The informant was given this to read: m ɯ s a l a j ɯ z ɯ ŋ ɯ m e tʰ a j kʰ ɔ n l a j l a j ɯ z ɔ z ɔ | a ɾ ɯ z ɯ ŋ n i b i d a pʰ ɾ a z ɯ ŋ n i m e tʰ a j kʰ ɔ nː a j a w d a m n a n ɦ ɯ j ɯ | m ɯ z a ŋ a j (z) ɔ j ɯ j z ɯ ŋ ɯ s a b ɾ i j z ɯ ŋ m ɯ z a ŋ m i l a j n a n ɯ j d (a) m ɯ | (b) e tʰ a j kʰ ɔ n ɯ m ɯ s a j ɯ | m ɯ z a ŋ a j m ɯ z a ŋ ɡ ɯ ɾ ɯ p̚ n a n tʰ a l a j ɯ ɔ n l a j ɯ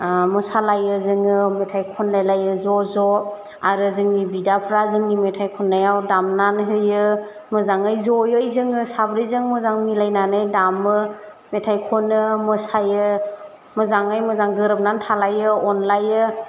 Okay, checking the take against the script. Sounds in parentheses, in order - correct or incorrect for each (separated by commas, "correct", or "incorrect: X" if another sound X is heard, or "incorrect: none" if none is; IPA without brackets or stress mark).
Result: correct, correct, incorrect: m